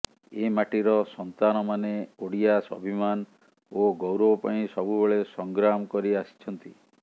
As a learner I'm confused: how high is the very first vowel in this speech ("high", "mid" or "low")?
mid